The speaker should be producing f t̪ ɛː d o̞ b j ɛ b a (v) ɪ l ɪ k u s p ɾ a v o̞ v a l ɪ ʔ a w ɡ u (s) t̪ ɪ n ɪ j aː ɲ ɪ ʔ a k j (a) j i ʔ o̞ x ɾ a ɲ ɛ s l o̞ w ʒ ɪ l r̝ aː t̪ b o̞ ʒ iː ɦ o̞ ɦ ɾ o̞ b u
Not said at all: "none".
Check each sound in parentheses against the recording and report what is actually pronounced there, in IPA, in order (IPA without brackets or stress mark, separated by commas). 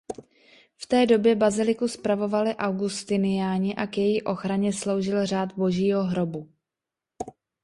z, s, ɛ